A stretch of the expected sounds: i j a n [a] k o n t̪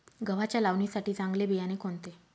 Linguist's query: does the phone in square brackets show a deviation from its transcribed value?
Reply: yes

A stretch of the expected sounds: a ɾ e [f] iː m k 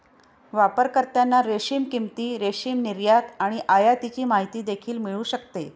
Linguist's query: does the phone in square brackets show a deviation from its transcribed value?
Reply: yes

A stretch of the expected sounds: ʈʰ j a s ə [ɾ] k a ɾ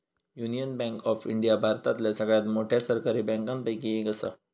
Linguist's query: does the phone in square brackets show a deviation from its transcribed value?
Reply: no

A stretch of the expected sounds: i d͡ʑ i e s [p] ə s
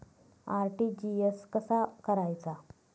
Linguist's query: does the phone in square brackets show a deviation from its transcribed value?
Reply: yes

